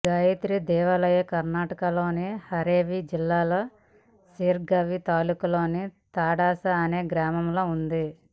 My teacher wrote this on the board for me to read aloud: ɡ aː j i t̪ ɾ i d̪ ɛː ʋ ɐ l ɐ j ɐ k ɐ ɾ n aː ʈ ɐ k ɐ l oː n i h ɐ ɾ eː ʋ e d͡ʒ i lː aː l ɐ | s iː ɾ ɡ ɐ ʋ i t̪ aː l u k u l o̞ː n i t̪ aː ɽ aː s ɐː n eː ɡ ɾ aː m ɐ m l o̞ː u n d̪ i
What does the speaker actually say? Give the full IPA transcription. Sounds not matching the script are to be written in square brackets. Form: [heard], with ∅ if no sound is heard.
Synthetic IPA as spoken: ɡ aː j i t̪ ɾ i d̪ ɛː ʋ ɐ l ɐ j ɐ k ɐ ɾ n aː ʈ ɐ k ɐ l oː n i h ɐ ɾ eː ʋ [i] d͡ʒ i lː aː l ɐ | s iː ɾ ɡ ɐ ʋ i t̪ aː l u k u l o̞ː n i t̪ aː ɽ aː s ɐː n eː ɡ ɾ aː m ɐ m l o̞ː u n d̪ i